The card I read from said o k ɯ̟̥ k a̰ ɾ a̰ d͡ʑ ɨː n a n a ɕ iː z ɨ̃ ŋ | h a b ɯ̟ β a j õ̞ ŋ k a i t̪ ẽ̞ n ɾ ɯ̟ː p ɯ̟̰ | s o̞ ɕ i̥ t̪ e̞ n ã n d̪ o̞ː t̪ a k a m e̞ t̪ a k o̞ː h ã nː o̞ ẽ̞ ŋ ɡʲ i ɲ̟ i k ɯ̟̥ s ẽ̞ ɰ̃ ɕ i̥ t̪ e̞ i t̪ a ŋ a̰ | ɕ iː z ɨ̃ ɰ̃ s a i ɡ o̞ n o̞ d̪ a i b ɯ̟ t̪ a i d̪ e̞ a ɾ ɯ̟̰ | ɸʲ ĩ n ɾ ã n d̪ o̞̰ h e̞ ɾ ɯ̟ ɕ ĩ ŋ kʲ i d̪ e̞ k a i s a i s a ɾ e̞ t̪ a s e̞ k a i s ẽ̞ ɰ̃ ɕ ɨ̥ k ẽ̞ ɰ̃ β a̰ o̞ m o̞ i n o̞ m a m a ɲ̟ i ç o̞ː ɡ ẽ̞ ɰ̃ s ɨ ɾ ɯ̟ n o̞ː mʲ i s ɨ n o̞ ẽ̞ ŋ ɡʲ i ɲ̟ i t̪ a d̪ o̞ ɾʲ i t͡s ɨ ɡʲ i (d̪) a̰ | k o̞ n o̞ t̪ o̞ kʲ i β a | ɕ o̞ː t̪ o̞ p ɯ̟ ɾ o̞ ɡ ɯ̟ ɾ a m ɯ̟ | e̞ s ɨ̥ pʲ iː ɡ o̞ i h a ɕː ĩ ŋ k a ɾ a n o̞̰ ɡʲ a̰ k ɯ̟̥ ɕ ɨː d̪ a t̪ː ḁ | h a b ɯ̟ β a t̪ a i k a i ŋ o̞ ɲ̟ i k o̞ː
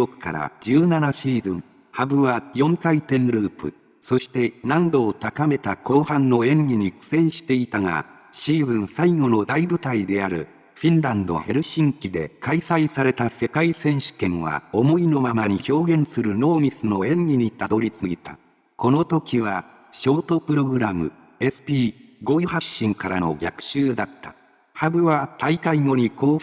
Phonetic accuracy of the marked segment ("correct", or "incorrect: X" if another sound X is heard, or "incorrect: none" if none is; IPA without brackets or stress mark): incorrect: t̪